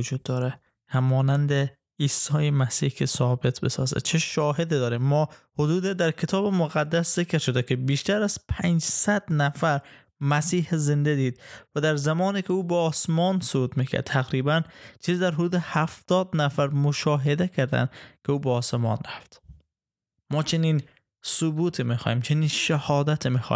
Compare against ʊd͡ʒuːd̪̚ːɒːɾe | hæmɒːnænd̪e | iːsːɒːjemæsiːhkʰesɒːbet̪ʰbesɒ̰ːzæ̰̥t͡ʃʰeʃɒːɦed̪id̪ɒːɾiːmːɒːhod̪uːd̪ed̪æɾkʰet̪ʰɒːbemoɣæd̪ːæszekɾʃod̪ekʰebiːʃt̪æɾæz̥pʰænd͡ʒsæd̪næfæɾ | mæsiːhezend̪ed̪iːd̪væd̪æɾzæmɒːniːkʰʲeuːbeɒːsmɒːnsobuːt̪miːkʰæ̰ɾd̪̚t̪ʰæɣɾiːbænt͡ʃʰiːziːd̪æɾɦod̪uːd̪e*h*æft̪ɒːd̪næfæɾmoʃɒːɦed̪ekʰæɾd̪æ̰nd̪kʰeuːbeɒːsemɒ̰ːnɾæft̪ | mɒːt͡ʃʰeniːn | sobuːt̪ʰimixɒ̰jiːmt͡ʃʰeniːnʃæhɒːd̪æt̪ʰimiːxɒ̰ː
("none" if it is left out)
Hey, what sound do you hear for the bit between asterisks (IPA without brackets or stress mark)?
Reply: h